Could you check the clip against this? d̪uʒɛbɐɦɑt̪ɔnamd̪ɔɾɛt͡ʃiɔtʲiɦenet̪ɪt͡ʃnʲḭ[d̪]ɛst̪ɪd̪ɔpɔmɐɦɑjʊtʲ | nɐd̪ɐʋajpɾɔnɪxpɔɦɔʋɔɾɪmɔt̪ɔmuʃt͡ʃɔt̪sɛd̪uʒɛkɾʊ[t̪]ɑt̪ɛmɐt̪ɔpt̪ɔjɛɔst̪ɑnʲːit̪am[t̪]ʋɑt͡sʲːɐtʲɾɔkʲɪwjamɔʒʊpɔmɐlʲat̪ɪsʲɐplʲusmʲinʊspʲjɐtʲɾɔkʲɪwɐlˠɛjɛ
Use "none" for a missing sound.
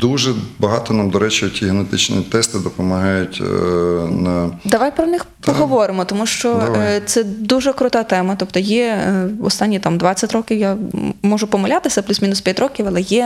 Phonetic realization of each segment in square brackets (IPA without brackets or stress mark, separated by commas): t̪, t̪, d̪